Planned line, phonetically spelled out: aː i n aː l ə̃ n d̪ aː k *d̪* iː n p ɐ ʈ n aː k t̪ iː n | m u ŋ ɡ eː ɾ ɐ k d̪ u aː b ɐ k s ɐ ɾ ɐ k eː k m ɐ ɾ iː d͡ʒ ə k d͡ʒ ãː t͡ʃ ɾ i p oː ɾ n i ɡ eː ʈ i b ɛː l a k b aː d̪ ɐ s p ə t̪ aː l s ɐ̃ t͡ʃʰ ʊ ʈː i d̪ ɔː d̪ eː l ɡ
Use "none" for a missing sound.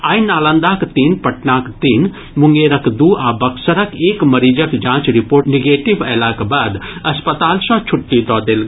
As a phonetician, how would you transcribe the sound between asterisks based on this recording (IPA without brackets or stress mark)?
t̪